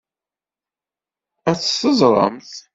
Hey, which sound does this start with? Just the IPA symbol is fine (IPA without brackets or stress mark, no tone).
æ